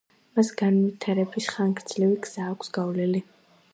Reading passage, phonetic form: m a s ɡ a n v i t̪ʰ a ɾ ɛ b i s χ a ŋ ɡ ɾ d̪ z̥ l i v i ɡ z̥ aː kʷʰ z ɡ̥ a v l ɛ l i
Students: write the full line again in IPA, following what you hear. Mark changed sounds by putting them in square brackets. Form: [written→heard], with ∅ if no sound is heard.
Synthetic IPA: m a s ɡ a n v i t̪ʰ a ɾ ɛ b i s χ a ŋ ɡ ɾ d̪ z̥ l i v i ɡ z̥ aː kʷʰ [z→s] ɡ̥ a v l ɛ l i

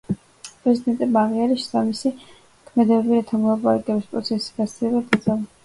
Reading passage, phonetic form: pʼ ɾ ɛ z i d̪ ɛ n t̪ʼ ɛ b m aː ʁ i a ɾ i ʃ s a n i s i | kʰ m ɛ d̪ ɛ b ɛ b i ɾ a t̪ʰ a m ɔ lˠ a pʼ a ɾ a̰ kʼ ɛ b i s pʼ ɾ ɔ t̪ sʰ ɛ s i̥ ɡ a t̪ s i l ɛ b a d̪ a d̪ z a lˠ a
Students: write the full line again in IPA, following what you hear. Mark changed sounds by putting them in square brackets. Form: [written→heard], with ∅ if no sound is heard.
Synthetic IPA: pʼ ɾ ɛ z i d̪ ɛ n t̪ʼ ɛ b m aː ʁ i a ɾ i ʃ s a [n→m] i s i | kʰ m ɛ d̪ ɛ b ɛ b i ɾ a t̪ʰ a m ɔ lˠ a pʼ a ɾ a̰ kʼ ɛ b i s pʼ ɾ ɔ t̪ sʰ ɛ s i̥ ɡ a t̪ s i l ɛ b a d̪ a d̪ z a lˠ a

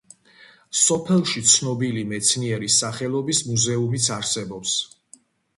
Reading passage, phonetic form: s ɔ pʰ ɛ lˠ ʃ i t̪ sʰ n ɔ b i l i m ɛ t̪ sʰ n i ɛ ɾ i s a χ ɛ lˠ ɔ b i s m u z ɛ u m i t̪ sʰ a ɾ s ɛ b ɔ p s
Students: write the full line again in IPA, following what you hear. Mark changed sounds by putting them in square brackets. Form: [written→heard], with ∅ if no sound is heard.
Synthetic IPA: s ɔ pʰ ɛ lˠ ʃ i t̪ sʰ n ɔ b i l i m ɛ t̪ sʰ n i ɛ ɾ i s a χ ɛ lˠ ɔ b i s m u z ɛ u m i t̪ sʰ a ɾ s ɛ b ɔ p s

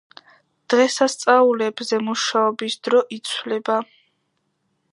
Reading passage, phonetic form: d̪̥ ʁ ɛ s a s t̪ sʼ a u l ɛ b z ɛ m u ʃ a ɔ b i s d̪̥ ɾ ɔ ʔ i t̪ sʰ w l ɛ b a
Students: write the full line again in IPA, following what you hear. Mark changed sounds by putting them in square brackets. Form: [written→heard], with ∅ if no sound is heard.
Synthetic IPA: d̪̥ ʁ ɛ s a s t̪ sʼ a u l ɛ b z ɛ m u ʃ a ɔ b i s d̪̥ ɾ ɔ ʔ i t̪ sʰ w l ɛ b a

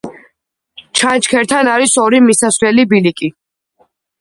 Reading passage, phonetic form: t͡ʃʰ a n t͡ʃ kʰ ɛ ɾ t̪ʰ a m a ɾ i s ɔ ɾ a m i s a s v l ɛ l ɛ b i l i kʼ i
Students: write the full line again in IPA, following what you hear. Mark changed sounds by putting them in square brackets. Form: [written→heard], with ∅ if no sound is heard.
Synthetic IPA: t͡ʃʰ a n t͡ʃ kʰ ɛ ɾ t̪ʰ a [m→n] a ɾ i s ɔ ɾ [a→i] m i s a s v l ɛ l [ɛ→i] b i l i kʼ i

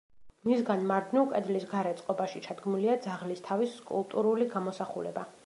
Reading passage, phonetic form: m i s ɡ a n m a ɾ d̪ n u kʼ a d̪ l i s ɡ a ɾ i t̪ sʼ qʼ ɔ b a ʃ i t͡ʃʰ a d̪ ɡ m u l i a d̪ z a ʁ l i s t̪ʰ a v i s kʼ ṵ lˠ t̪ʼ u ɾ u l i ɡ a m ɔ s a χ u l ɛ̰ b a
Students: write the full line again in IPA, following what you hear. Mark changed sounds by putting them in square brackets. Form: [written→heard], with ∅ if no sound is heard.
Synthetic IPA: m i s ɡ a n m a ɾ d̪ n u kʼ [a→ɛ] d̪ l i s ɡ a ɾ [i→ɛ] t̪ sʼ qʼ ɔ b a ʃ i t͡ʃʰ a d̪ ɡ m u l i a d̪ z a ʁ l i s t̪ʰ a v i s kʼ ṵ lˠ t̪ʼ u ɾ u l i ɡ a m ɔ s a χ u l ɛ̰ b a

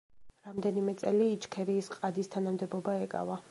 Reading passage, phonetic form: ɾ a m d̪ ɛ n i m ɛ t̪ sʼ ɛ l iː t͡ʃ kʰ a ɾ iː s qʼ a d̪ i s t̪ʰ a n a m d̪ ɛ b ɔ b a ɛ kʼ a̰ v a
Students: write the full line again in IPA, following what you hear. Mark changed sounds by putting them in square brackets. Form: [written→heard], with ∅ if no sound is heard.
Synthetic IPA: ɾ a m d̪ ɛ n i m ɛ t̪ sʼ ɛ l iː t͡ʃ kʰ [a→ɛ] ɾ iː s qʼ a d̪ i s t̪ʰ a n a m d̪ ɛ b ɔ b a ɛ kʼ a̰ v a

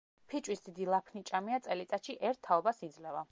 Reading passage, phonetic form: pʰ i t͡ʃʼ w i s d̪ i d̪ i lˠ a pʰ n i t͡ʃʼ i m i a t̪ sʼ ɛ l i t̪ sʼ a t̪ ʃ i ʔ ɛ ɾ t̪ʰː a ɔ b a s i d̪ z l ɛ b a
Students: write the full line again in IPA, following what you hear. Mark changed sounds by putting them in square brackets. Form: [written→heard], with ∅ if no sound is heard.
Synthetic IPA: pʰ i t͡ʃʼ w i s d̪ i d̪ i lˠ a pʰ n i t͡ʃʼ [i→a] m i a t̪ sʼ ɛ l i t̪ sʼ a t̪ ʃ i ʔ ɛ ɾ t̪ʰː a ɔ b a s i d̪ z l ɛ [b→v] a

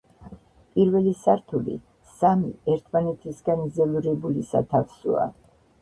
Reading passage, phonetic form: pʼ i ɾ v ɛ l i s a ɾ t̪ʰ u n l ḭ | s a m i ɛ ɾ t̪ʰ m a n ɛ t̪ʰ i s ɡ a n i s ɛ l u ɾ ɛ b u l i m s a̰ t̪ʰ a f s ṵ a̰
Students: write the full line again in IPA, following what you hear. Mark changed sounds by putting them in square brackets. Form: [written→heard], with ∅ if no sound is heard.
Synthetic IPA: pʼ i ɾ v ɛ l i s a ɾ t̪ʰ u [n→∅] l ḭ | s a m i ɛ ɾ t̪ʰ m a n ɛ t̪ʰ i s ɡ a n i [s→z] ɛ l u ɾ ɛ b u l i [m→∅] s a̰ t̪ʰ a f s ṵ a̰

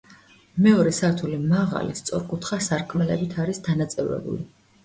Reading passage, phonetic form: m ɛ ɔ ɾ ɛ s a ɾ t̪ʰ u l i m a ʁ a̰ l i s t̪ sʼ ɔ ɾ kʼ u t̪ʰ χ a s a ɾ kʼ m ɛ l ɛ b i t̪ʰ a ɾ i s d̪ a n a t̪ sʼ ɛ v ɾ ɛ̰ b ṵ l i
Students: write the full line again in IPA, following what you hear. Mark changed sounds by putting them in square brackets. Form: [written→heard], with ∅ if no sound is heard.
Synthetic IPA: m ɛ ɔ ɾ ɛ s a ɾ t̪ʰ u l i m a ʁ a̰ l i s t̪ sʼ ɔ ɾ kʼ u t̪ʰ χ a s a ɾ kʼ m ɛ l ɛ b i t̪ʰ a ɾ i s d̪ a n a t̪ sʼ ɛ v ɾ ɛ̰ b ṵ l i

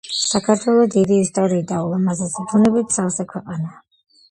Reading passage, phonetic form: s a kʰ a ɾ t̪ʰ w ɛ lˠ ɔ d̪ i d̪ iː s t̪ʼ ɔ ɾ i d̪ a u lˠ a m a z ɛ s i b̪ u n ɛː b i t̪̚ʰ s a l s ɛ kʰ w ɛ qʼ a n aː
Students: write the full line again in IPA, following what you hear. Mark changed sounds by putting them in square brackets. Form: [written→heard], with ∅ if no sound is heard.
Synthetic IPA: s a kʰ a ɾ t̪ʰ w ɛ lˠ ɔ d̪ i d̪ iː s t̪ʼ ɔ ɾ [i→iː] d̪ a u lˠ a m a z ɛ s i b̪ u n [ɛː→ɛ] b i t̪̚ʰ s a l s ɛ kʰ w ɛ qʼ a n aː

